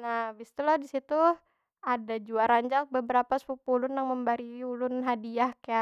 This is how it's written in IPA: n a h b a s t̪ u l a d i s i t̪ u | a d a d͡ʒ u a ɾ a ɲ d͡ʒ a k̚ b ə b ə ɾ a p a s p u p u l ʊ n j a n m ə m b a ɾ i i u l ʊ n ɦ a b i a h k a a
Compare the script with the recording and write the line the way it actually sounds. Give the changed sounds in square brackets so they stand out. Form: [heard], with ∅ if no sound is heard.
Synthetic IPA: n a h b [i] s t̪ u l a d i s i t̪ u | a d a d͡ʒ u a ɾ a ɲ d͡ʒ a k̚ b ə b ə ɾ a p a s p u p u l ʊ n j a [ŋ] m ə m b a ɾ i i u l ʊ n ɦ a [d] i a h k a a